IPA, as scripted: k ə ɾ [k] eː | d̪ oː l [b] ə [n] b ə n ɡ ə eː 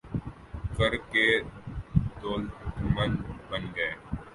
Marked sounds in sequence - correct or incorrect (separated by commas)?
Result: correct, incorrect, correct